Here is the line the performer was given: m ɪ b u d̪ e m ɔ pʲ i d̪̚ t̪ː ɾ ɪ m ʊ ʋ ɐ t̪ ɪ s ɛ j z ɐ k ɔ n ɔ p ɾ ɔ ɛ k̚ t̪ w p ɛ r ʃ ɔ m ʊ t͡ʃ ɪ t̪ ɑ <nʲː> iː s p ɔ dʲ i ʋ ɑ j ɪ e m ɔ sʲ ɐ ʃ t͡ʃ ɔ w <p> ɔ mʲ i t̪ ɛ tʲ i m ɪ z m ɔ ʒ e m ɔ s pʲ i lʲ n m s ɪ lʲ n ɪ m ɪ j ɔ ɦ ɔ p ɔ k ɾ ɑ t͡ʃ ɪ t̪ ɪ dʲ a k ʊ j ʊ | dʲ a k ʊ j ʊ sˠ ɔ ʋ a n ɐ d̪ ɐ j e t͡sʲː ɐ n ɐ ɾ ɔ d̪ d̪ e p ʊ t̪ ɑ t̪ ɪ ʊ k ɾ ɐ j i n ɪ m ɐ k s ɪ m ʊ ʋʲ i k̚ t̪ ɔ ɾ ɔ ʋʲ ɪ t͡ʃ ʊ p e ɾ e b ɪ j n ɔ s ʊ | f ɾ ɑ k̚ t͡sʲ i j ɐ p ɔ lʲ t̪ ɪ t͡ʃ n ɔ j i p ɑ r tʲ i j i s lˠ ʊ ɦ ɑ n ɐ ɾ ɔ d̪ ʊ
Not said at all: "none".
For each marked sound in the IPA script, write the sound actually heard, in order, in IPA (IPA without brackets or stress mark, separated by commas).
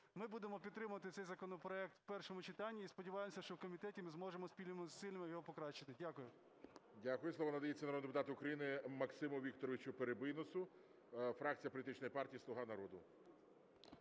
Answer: nʲː, k